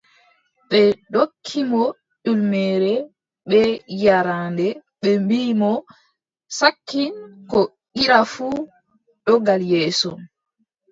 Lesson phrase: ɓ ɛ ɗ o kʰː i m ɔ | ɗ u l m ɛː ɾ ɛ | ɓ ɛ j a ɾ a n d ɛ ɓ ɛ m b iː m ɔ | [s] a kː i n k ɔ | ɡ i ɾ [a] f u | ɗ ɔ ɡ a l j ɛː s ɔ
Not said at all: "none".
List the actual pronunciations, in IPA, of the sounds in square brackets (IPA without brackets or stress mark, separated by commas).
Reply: s, a